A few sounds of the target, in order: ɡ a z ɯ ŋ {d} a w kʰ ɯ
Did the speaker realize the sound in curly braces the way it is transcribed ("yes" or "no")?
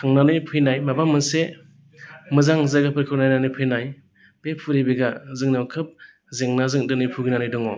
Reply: no